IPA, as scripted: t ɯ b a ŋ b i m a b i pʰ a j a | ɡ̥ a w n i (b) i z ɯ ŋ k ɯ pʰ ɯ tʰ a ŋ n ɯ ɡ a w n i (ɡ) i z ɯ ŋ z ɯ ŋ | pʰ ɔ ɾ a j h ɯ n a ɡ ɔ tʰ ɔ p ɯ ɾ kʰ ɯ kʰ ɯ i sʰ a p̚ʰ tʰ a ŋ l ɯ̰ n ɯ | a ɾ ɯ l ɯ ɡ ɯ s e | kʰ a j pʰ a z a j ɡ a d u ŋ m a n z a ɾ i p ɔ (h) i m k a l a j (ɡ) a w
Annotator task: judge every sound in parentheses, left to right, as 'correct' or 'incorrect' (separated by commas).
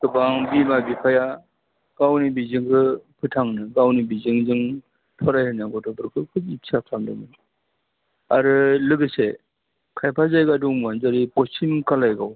correct, incorrect, incorrect, correct